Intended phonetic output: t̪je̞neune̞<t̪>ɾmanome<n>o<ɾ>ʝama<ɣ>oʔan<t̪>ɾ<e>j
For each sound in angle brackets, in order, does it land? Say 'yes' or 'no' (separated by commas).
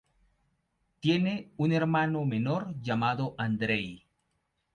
no, yes, yes, no, no, yes